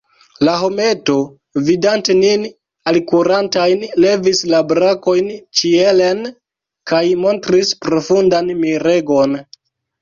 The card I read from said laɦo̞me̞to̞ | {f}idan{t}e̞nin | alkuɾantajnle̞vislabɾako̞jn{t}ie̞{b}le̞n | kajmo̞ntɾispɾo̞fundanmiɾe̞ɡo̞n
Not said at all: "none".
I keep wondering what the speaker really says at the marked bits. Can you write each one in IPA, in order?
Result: v, t, t͡ʃ, none

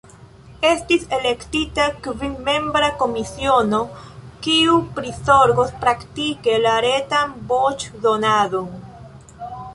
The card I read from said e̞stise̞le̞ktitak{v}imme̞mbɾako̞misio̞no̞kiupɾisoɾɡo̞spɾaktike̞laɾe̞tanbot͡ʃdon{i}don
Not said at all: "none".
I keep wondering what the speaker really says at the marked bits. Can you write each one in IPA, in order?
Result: v, a

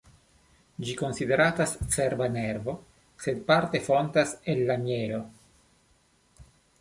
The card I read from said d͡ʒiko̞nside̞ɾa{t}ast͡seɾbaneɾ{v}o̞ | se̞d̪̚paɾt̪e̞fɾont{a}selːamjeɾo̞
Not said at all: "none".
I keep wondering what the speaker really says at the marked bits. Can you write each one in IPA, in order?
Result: t, v, a

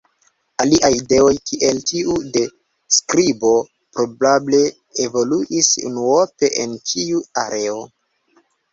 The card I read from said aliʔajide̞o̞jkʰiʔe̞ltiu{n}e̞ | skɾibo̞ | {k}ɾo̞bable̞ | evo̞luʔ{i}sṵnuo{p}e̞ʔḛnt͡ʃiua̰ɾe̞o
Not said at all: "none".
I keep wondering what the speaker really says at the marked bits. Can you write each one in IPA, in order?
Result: d, p, i, p

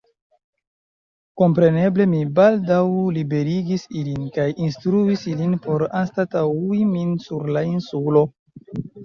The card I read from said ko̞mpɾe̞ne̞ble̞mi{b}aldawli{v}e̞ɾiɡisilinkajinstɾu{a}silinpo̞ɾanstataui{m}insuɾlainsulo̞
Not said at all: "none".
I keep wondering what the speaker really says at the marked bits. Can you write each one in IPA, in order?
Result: b, b, i, m

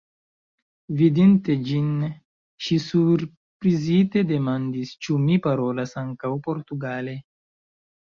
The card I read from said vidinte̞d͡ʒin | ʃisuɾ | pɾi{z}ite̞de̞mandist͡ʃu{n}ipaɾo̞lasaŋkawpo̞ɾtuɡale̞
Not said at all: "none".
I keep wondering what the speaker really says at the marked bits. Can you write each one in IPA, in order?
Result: z, m

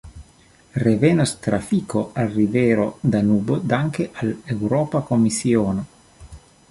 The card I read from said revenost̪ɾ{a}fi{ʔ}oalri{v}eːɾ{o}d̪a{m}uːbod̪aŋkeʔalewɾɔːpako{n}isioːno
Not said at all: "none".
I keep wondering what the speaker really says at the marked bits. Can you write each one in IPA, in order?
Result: a, k, v, o, n, m

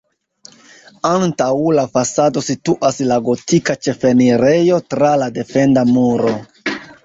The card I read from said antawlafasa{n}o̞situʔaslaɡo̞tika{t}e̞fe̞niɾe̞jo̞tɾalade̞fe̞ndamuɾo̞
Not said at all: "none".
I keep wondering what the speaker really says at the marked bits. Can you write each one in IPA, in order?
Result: d, t͡ʃ

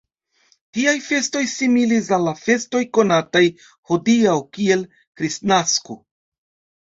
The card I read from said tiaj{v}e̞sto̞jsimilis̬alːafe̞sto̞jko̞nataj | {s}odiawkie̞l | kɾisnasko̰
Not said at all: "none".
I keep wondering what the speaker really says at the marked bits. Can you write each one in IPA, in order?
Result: f, h

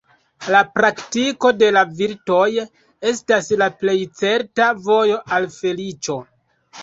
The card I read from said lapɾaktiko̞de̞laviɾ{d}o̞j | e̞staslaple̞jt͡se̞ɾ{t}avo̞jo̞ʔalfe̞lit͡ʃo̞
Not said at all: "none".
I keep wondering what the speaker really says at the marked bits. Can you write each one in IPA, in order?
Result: t, t

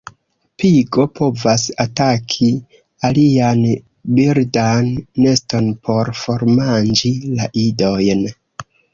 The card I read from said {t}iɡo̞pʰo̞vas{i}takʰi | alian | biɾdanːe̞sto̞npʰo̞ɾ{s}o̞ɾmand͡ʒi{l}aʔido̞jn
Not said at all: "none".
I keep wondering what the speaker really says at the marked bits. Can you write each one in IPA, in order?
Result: p, a, f, l

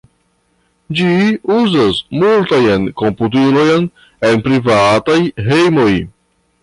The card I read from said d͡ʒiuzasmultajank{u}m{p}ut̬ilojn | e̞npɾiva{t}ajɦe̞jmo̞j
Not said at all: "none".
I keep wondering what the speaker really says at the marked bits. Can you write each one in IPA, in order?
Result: o, p, t

